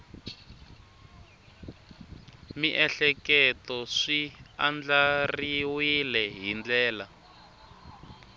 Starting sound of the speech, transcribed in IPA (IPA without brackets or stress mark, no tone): m